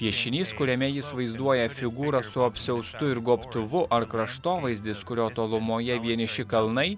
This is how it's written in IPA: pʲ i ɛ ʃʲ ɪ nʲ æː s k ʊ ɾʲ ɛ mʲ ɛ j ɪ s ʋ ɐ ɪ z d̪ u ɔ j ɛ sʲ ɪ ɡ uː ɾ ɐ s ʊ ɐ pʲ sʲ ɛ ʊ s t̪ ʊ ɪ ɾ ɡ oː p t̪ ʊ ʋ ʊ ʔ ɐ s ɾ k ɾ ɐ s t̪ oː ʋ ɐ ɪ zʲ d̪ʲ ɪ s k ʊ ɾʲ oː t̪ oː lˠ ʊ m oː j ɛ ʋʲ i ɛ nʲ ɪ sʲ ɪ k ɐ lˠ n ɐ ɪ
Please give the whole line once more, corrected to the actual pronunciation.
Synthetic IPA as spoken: pʲ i ɛ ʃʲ ɪ nʲ iː s k ʊ ɾʲ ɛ mʲ ɛ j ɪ s ʋ ɐ ɪ z d̪ u ɔ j ɛ fʲ ɪ ɡ uː ɾ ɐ s ʊ ɐ pʲ sʲ ɛ ʊ s t̪ ʊ ɪ ɾ ɡ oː p t̪ ʊ ʋ ʊ ʔ ɐ ɾ k ɾ ɐ ʃ t̪ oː ʋ ɐ ɪ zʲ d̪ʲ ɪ s k ʊ ɾʲ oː t̪ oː lˠ ʊ m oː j ɛ ʋʲ i ɛ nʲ ɪ ʃʲ ɪ k ɐ lˠ n ɐ ɪ

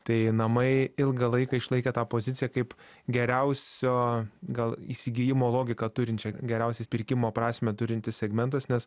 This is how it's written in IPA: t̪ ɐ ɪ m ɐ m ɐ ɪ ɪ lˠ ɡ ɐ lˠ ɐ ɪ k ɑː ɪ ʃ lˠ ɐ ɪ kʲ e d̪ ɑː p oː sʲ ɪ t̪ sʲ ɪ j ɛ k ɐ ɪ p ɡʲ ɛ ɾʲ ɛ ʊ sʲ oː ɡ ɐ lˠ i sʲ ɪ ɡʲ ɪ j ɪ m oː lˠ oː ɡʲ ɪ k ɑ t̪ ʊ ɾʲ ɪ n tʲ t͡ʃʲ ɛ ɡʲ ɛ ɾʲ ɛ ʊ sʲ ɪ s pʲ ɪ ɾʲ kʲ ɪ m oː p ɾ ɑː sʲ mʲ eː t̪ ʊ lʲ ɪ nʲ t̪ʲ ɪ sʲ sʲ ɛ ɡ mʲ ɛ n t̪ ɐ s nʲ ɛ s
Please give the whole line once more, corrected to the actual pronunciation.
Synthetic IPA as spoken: t̪ ɐ ɪ n ɐ m ɐ ɪ ɪ lˠ ɡ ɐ lˠ ɐ ɪ k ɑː ɪ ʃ lˠ ɐ ɪ kʲ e t̪ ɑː p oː zʲ ɪ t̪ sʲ ɪ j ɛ k ɐ ɪ p ɡʲ ɛ ɾʲ ɛ ʊ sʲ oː ɡ ɐ lˠ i sʲ ɪ ɡʲ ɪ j ɪ m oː lˠ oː ɡʲ ɪ k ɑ t̪ ʊ ɾʲ ɪ n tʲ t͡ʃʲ ɛ ɡʲ ɛ ɾʲ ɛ ʊ sʲ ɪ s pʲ ɪ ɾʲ kʲ ɪ m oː p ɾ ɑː sʲ mʲ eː t̪ ʊ ɾʲ ɪ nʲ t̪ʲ ɪ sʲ sʲ ɛ ɡ mʲ ɛ n t̪ ɐ s nʲ ɛ s

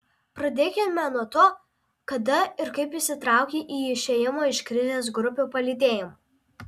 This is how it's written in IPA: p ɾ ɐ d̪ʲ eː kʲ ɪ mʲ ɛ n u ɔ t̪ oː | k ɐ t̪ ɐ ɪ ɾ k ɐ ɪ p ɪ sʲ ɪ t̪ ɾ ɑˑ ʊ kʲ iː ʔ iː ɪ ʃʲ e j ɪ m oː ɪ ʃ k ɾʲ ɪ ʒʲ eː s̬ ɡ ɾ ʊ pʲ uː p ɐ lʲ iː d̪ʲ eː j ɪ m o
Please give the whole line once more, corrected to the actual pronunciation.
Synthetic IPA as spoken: p ɾ ɐ d̪ʲ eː kʲ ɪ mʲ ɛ n u ɔ t̪ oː | k ɐ d̪ ɐ ɪ ɾ k ɐ ɪ p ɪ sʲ ɪ t̪ ɾ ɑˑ ʊ kʲ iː ʔ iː ɪ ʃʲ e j ɪ m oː ɪ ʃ k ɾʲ ɪ zʲ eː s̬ ɡ ɾ ʊ pʲ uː p ɐ lʲ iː d̪ʲ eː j ɪ m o

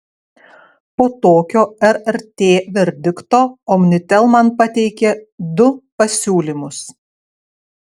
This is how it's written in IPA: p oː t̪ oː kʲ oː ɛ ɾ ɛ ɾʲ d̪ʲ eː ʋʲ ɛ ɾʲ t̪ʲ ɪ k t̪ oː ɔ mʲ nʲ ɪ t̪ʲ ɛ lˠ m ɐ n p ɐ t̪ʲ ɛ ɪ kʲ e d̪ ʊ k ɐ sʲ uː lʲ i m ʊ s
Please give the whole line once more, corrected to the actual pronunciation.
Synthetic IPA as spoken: p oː t̪ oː kʲ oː ɛ ɾ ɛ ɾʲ t̪ʲ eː ʋʲ ɛ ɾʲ d̪ʲ ɪ k t̪ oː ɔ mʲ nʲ ɪ t̪ʲ ɛ lˠ m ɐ n p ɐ t̪ʲ ɛ ɪ kʲ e d̪ ʊ p ɐ sʲ uː lʲ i m ʊ s

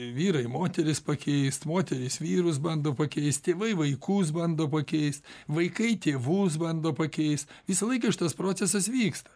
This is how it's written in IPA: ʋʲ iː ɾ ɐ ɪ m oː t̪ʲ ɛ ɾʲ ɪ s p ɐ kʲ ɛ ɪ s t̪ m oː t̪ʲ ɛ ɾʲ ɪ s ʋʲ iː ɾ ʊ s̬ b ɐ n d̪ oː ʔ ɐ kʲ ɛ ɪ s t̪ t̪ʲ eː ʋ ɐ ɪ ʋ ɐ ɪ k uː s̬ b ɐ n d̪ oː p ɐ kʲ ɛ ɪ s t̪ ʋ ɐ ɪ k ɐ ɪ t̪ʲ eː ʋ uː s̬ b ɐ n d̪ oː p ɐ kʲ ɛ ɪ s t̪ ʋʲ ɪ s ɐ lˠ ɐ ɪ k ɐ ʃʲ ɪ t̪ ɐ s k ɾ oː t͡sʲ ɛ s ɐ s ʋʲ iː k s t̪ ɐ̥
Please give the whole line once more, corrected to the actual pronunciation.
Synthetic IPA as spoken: ʋʲ iː ɾ ɐ ɪ m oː t̪ʲ ɛ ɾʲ ɪ s p ɐ kʲ ɛ ɪ s t̪ m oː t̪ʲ ɛ ɾʲ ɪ s ʋʲ iː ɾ ʊ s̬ b ɐ n d̪ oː p ɐ kʲ ɛ ɪ s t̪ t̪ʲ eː ʋ ɐ ɪ ʋ ɐ ɪ k uː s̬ b ɐ n d̪ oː p ɐ kʲ ɛ ɪ s t̪ ʋ ɐ ɪ k ɐ ɪ t̪ʲ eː ʋ uː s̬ b ɐ n d̪ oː p ɐ kʲ ɛ ɪ s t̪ ʋʲ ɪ s ɐ lˠ ɐ ɪ k ɐ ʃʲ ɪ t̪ ɐ s p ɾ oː t͡sʲ ɛ s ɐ s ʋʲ iː k s t̪ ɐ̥

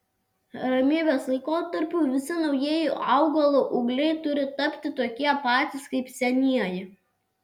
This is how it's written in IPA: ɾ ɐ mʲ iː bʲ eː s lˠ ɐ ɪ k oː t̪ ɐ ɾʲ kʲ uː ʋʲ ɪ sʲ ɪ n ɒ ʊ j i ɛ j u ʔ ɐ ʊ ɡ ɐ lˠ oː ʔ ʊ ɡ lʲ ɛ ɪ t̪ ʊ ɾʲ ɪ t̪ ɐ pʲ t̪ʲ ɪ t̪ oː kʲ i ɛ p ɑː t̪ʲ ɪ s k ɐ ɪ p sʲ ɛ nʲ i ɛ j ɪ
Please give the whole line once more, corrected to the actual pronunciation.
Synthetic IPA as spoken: ɾ ɐ mʲ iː bʲ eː s lˠ ɐ ɪ k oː t̪ ɐ ɾʲ pʲ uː ʋʲ ɪ sʲ ɪ n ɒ ʊ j i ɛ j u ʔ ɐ ʊ ɡ ɐ lˠ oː ʔ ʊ ɡ lʲ ɛ ɪ t̪ ʊ ɾʲ ɪ t̪ ɐ pʲ t̪ʲ ɪ t̪ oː kʲ i ɛ p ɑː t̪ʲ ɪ s k ɐ ɪ p sʲ ɛ nʲ i ɛ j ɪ

